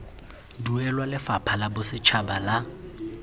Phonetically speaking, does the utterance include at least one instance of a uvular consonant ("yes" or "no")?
no